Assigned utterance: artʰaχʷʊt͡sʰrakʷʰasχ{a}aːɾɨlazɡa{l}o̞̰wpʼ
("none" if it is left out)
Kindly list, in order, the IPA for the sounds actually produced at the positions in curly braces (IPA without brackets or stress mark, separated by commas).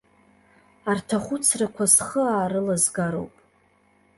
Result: ə, ɾ